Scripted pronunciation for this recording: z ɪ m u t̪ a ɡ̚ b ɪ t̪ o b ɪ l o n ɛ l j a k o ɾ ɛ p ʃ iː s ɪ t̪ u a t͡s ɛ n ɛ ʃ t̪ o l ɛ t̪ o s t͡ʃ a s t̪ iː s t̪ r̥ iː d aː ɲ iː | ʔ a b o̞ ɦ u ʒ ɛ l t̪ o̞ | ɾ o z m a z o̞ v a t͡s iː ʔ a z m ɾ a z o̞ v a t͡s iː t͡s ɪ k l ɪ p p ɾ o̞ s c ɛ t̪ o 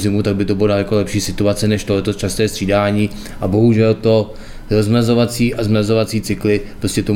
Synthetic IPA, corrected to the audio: z ɪ m u t̪ a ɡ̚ b ɪ t̪ o b ɪ l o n a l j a k o l ɛ p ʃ iː s ɪ t̪ u a t͡s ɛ n ɛ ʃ t̪ o l ɛ t̪ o s t͡ʃ a s t̪ ɛː s t̪ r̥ iː d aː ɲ iː | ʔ a b o̞ ɦ u ʒ ɛ l t̪ o̞ | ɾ o z m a z o̞ v a t͡s iː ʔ a z m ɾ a z o̞ v a t͡s iː t͡s ɪ k l ɪ p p ɾ o̞ s c ɛ t̪ o